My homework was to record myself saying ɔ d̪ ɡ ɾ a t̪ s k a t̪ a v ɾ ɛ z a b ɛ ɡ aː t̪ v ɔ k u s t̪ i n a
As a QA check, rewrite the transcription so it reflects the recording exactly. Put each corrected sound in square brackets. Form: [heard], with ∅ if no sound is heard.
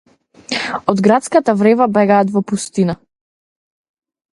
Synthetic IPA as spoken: ɔ d̪ ɡ ɾ a t̪ s k a t̪ a v ɾ ɛ [v] a b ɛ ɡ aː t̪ v ɔ [p] u s t̪ i n a